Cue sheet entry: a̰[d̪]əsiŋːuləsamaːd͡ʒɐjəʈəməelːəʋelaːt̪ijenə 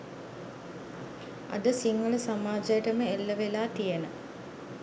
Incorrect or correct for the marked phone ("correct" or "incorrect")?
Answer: correct